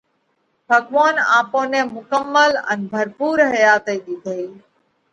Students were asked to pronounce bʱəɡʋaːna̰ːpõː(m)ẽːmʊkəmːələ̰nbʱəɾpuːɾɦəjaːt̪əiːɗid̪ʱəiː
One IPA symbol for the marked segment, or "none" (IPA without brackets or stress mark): n